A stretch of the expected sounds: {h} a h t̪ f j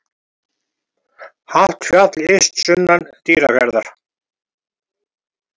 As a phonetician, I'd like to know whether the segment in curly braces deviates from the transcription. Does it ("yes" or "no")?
no